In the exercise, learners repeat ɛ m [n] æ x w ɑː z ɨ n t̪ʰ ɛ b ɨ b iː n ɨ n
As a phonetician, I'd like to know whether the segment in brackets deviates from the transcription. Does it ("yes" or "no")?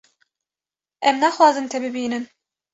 no